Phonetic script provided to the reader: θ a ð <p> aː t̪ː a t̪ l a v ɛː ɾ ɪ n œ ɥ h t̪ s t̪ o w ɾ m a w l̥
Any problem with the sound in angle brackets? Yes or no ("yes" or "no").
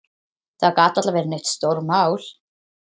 yes